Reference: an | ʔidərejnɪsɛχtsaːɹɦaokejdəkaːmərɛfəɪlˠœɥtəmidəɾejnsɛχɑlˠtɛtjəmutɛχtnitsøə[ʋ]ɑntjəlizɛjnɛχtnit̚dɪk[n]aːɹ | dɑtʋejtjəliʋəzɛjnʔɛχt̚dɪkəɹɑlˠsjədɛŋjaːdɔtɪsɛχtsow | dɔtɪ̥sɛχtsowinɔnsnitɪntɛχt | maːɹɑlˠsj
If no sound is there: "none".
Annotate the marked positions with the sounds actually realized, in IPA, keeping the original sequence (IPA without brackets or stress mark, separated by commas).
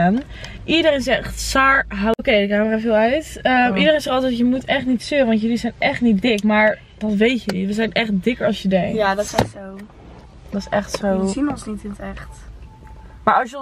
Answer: ʋ, m